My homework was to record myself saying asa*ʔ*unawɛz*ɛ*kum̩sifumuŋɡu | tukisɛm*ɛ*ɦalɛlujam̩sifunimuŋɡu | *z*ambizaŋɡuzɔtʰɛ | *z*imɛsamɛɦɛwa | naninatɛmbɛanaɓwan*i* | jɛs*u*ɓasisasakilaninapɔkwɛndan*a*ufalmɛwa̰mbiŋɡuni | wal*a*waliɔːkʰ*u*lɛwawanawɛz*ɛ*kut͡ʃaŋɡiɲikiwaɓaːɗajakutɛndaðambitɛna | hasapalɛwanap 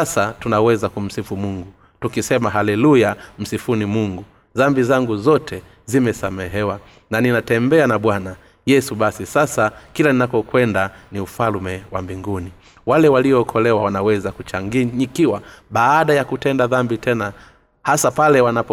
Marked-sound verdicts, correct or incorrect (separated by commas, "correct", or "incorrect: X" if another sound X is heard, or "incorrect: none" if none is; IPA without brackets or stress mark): incorrect: t, incorrect: a, incorrect: a, incorrect: ð, correct, incorrect: a, correct, incorrect: i, incorrect: ɛ, incorrect: ɔ, incorrect: a